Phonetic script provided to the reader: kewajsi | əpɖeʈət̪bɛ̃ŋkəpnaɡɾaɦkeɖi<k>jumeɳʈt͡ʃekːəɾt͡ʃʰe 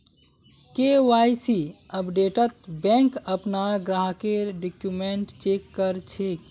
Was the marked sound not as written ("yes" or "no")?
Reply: no